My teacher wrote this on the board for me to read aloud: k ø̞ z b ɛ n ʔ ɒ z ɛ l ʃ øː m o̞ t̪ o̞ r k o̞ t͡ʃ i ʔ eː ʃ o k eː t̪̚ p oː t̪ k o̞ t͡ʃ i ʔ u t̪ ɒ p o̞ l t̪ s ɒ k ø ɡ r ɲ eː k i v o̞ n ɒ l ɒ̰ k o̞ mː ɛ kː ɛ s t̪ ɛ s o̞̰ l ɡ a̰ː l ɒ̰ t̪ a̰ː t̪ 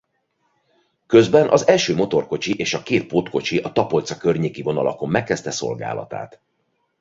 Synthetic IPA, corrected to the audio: k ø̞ z b ɛ n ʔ ɒ z ɛ l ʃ øː m o̞ t̪ o̞ r k o̞ t͡ʃ i ʔ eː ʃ ɒ k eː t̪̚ p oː t̪ k o̞ t͡ʃ i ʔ ɒ t̪ ɒ p o̞ l t̪ s ɒ k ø r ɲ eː k i v o̞ n ɒ l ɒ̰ k o̞ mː ɛ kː ɛ s t̪ ɛ s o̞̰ l ɡ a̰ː l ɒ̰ t̪ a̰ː t̪